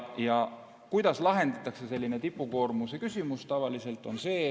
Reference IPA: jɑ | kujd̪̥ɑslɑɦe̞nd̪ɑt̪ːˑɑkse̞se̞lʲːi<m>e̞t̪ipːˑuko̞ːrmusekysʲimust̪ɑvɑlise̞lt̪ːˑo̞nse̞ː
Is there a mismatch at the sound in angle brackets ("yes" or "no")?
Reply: yes